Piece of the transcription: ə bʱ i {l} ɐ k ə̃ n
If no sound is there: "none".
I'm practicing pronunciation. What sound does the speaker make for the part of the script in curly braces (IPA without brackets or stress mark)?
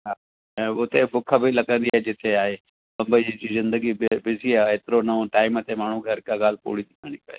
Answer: l